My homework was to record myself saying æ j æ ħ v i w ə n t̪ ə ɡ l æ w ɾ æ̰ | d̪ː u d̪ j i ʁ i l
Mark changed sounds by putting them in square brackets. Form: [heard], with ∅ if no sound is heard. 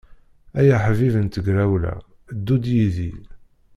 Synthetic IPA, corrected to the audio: æ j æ ħ v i [v] ə n t̪ ə ɡ [ɾ] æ w [l] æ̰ | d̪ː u d̪ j i [ð] i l